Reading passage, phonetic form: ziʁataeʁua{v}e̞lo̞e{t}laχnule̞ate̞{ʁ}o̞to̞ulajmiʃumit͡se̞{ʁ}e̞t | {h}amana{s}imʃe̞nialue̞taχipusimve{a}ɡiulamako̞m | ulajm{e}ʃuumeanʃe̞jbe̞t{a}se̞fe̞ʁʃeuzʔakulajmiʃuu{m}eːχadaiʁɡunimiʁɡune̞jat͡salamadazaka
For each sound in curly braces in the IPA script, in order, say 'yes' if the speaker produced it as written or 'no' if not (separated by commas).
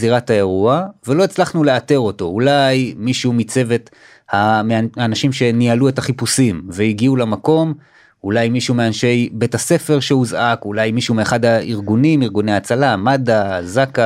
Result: yes, no, yes, no, yes, no, no, no, yes, yes